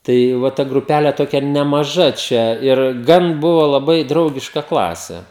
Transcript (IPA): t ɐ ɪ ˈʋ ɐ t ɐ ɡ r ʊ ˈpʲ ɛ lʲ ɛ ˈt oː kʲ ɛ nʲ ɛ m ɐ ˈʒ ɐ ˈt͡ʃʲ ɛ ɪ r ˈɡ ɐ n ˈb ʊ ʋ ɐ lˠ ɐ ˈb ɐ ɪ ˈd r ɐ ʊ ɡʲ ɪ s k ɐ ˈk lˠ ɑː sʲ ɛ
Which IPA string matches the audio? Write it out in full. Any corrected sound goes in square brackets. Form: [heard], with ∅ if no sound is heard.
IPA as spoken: t ɐ ɪ ˈʋ ɐ t ɐ ɡ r ʊ ˈpʲ [æ] lʲ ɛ ˈt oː kʲ ɛ nʲ ɛ m ɐ ˈʒ ɐ ˈt͡ʃʲ ɛ ɪ r ˈɡ ɐ n ˈb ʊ ʋ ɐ lˠ ɐ ˈb ɐ ɪ ˈd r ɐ ʊ ɡʲ ɪ [ʃ] k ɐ ˈk lˠ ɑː sʲ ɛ